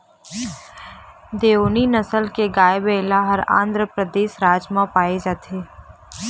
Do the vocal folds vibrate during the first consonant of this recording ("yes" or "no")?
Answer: yes